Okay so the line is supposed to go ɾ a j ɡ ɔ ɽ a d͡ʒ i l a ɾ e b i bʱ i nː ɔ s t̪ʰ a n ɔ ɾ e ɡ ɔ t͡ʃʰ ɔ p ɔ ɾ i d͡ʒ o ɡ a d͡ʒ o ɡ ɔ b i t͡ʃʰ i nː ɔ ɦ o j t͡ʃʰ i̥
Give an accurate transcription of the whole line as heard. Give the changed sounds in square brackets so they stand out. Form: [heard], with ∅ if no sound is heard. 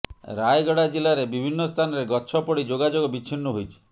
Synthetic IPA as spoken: ɾ a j ɡ ɔ ɽ a d͡ʒ i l a ɾ e b i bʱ i nː ɔ s t̪ʰ a n ɔ ɾ e ɡ ɔ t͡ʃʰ ɔ p ɔ [ɽ] i d͡ʒ o ɡ a d͡ʒ o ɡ ɔ b i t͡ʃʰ i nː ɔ ɦ o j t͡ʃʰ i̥